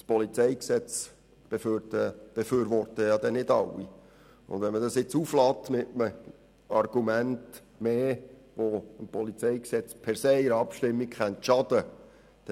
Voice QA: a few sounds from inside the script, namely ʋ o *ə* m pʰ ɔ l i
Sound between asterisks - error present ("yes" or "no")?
no